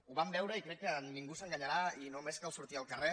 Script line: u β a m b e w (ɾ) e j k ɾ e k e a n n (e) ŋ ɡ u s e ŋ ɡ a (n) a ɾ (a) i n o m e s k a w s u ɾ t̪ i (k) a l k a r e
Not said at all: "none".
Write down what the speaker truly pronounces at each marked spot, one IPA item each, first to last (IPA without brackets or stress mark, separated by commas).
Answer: ɾ, i, ɲ, a, none